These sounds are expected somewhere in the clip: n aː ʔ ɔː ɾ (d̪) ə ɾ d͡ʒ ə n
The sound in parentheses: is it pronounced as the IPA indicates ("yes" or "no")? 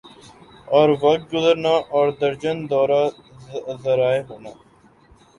yes